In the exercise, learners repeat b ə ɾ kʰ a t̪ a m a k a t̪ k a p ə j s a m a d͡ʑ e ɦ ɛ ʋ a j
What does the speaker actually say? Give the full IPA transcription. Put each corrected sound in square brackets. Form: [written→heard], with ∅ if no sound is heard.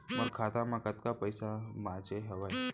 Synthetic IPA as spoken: [b→m] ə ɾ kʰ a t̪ a m a k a t̪ k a p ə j s a m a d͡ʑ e ɦ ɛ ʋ a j

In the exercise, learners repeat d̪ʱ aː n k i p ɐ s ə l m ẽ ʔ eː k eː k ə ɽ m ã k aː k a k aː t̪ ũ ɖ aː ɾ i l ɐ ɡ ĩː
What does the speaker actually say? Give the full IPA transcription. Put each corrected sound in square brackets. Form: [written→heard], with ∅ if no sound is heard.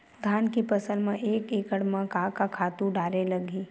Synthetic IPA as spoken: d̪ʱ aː n k i p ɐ s ə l m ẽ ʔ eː k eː k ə ɽ m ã k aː k a [k→kʰ] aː t̪ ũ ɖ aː ɾ [i→e] l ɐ ɡ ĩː

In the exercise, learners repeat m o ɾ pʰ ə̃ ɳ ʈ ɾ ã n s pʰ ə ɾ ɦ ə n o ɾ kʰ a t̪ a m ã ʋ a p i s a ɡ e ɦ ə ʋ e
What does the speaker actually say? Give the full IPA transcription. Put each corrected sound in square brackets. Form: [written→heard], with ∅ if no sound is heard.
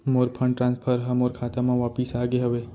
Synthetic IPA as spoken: m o ɾ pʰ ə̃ ɳ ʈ ɾ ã n s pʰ ə ɾ ɦ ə [n→m] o ɾ kʰ a t̪ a m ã ʋ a p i s a ɡ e ɦ ə ʋ e

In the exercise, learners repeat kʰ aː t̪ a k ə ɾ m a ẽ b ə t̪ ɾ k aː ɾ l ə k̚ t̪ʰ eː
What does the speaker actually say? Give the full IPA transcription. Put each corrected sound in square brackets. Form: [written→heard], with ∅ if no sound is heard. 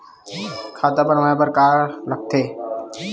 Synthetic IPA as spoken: kʰ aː t̪ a [k→p] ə ɾ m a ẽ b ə [t̪→∅] ɾ k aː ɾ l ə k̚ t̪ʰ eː

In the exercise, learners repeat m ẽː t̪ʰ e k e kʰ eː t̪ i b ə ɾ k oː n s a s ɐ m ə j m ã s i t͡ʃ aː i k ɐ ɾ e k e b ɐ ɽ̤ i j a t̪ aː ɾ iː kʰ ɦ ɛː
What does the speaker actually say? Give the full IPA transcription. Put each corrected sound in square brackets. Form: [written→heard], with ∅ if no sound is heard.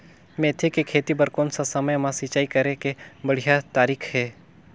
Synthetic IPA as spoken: m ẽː t̪ʰ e k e kʰ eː t̪ i b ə ɾ k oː n s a s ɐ m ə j m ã s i t͡ʃ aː i k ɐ ɾ e k e b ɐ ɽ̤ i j a t̪ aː ɾ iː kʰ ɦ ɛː

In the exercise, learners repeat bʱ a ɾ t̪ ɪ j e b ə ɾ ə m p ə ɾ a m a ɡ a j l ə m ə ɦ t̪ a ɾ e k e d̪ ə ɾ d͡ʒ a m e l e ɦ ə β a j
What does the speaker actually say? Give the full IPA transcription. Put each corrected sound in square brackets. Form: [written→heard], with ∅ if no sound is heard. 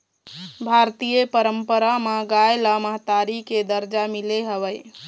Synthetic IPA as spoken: bʱ a ɾ t̪ [ɪ→i] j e [b→p] ə ɾ ə m p ə ɾ a m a ɡ a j l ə m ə ɦ t̪ a ɾ [e→i] k e d̪ ə ɾ d͡ʒ a m [e→i] l e ɦ ə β [a→ə] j

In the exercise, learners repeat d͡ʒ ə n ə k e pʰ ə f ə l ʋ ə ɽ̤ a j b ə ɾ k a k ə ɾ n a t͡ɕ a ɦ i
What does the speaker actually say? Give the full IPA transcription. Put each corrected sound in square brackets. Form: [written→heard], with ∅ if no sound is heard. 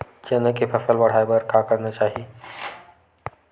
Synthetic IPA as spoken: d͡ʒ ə n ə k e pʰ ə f ə l ʋ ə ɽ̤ a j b ə ɾ k a k ə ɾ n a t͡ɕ a ɦ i

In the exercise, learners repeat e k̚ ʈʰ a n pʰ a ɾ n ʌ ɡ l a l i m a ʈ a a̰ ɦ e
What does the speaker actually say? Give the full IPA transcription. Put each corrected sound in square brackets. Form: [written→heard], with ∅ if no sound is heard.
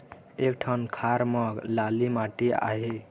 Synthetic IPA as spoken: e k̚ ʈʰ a n [pʰ→kʰ] a ɾ [n→m] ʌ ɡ l a l i m a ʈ [a→i] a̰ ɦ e

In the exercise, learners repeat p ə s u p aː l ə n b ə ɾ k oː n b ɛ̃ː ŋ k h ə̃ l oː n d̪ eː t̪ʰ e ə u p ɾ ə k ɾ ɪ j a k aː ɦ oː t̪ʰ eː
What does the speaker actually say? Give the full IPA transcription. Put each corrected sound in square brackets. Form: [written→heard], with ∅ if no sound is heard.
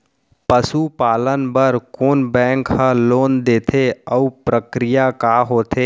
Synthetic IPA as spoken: p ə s u p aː l ə n b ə ɾ k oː n b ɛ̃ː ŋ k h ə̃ l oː n d̪ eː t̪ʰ e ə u p ɾ ə k ɾ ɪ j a k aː ɦ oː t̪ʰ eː

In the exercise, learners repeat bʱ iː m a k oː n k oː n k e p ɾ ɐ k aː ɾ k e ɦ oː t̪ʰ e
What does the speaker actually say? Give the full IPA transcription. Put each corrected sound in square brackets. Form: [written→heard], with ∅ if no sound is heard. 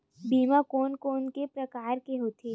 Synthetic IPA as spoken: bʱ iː m a k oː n k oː n k e p ɾ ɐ k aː ɾ k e ɦ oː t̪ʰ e

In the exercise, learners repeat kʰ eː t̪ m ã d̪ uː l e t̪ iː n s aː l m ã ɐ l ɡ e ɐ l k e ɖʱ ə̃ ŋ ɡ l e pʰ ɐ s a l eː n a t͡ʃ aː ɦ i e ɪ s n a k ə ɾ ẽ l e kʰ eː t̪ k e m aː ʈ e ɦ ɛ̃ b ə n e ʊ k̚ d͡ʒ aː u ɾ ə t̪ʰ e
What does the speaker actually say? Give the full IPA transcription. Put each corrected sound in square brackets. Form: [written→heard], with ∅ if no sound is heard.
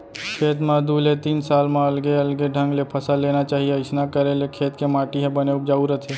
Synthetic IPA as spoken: kʰ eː t̪ m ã d̪ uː l e t̪ iː n s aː l m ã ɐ l ɡ e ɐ l [k→ɡ] e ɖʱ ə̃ ŋ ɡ l e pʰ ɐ s a l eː n a t͡ʃ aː ɦ i e ɪ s n a k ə ɾ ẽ l e kʰ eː t̪ k e m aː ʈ [e→i] ɦ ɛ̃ b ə n e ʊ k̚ d͡ʒ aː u ɾ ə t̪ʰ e

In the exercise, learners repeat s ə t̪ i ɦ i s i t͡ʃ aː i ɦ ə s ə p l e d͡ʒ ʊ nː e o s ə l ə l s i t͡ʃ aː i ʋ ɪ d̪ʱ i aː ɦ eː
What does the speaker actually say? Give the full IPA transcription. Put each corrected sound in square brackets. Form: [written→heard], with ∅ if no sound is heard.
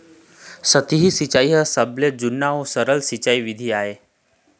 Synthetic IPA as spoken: s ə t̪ i ɦ i s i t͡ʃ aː i ɦ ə s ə [p→b] l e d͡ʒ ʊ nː [e→a] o s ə [l→ɾ] ə l s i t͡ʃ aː i ʋ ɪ d̪ʱ i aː ɦ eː

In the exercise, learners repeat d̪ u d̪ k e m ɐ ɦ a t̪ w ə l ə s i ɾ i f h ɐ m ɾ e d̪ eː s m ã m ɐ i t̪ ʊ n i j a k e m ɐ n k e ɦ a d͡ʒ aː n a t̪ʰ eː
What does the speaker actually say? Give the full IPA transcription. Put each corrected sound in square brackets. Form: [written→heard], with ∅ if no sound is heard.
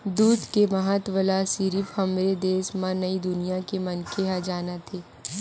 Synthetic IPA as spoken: d̪ [u→uː] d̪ k e m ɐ ɦ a t̪ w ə l [ə→a] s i ɾ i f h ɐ m ɾ e d̪ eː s m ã [m→n] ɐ i [t̪→d̪] ʊ n i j a k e m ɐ n k e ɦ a d͡ʒ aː n a t̪ʰ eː

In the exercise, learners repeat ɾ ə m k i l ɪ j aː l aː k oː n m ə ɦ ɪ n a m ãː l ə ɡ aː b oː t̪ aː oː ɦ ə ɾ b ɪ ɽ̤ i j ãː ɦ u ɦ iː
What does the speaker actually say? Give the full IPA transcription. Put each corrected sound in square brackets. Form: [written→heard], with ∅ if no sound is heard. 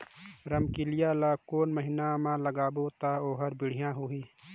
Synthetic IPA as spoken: ɾ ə m k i l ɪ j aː l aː k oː n m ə ɦ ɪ n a m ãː l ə ɡ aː b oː t̪ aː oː ɦ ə ɾ b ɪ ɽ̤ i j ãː ɦ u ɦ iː

